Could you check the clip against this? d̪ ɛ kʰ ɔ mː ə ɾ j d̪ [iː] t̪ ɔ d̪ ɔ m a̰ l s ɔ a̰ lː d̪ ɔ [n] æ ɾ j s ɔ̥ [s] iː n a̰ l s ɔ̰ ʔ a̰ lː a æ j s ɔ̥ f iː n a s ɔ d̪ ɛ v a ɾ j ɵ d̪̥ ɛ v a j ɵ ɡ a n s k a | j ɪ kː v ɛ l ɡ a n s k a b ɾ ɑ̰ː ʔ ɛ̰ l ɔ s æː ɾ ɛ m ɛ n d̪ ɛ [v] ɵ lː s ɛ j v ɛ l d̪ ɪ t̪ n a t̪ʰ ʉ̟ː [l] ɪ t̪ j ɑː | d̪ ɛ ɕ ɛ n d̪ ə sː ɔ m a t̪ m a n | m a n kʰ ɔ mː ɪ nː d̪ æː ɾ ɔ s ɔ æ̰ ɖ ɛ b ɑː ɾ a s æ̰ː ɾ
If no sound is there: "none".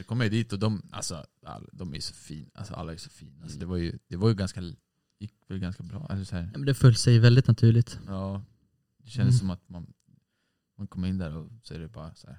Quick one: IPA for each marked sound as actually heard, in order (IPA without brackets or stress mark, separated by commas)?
iː, m, f, f, ɭ